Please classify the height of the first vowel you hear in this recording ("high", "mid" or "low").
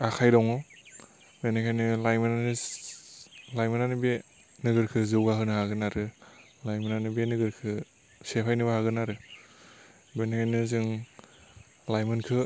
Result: low